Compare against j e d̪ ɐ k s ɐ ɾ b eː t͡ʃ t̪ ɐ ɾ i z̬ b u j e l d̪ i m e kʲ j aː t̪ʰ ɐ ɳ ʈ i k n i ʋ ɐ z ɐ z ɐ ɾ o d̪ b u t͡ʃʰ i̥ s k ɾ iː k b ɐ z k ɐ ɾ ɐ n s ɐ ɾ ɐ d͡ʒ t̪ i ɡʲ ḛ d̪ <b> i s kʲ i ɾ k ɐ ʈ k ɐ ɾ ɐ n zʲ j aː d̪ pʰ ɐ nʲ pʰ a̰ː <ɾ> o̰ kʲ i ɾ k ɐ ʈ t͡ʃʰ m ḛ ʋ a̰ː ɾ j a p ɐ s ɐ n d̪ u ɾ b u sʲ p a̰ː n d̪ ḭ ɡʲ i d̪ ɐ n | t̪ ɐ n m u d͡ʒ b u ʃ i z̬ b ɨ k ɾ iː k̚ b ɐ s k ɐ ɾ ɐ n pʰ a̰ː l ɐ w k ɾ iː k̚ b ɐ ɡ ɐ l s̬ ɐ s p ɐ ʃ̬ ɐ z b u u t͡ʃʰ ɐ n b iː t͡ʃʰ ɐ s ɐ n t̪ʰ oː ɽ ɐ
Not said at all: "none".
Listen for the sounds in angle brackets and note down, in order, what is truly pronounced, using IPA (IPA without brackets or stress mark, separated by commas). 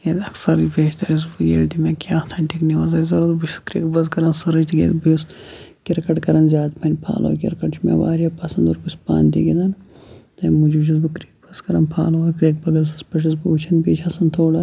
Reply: b, l